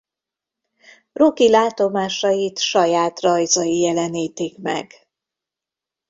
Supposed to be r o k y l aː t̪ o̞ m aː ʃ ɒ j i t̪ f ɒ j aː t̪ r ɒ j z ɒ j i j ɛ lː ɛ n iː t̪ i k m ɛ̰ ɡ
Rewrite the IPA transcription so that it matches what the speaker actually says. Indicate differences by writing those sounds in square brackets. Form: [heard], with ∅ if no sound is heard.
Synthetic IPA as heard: r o k [i] l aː t̪ o̞ m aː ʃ ɒ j i t̪ [ʃ] ɒ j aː t̪ r ɒ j z ɒ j i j ɛ [l] ɛ n iː t̪ i k m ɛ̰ ɡ